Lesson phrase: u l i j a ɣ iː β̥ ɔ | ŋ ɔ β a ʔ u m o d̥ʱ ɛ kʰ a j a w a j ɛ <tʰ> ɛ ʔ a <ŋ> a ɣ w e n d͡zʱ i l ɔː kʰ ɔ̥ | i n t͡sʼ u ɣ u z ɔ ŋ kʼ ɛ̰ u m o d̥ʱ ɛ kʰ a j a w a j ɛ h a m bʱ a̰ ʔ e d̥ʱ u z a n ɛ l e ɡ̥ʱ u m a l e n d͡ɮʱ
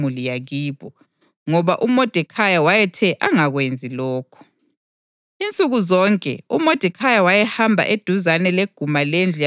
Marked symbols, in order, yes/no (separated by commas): yes, yes